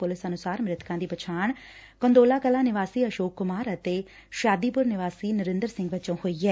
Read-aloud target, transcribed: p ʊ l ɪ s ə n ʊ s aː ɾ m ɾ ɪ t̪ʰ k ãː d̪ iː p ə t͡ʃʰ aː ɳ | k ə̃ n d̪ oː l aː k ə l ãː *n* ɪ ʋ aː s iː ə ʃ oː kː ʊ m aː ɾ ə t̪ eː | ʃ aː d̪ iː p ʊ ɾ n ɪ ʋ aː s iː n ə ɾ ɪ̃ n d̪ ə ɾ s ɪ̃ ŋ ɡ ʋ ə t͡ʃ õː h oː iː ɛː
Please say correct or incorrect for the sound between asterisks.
correct